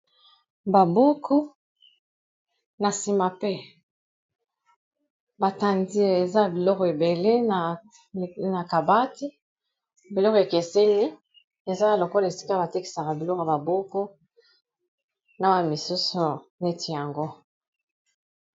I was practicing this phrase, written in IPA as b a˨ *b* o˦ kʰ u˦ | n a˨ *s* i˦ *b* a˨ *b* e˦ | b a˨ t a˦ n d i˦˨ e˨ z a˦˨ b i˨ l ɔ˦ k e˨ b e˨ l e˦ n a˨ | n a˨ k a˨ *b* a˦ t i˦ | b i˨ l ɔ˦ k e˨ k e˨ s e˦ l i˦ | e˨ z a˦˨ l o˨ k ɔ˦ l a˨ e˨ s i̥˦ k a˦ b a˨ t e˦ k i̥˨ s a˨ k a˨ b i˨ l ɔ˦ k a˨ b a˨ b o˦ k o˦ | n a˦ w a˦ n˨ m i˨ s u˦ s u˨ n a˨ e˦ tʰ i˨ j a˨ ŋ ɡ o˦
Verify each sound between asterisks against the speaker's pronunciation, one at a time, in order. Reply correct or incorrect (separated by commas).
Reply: correct, correct, incorrect, incorrect, correct